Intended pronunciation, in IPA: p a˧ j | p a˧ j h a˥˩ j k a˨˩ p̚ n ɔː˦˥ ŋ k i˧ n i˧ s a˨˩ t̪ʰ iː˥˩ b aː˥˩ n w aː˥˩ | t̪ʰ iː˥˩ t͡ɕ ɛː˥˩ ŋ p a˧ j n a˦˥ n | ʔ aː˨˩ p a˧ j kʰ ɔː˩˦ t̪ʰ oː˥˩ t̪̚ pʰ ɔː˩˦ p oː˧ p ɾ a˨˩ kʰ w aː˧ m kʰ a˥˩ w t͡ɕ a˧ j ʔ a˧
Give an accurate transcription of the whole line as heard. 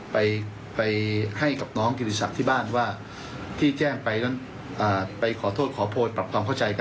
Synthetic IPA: p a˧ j | p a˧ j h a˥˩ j k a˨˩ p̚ n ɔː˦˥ ŋ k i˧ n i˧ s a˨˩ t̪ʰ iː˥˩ b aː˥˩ n w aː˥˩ | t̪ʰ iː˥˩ t͡ɕ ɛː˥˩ ŋ p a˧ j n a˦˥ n | ʔ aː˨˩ p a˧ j kʰ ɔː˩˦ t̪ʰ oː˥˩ t̪̚ kʰ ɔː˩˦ pʰ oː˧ p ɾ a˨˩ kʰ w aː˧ m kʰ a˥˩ w t͡ɕ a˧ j k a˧